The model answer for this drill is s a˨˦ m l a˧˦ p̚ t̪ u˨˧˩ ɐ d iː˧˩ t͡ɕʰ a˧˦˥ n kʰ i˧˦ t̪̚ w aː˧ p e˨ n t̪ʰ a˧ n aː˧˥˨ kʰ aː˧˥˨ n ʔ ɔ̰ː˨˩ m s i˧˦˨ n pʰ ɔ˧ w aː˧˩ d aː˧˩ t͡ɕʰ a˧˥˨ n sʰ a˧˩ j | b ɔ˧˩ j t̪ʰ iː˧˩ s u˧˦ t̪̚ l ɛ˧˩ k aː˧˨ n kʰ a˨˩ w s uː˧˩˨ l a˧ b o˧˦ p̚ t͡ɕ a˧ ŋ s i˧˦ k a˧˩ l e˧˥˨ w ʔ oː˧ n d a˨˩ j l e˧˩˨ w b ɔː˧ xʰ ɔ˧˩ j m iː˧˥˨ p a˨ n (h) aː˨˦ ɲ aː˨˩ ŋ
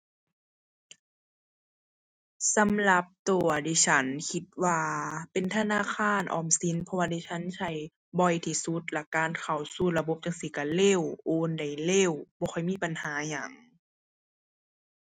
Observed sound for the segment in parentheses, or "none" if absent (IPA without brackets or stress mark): h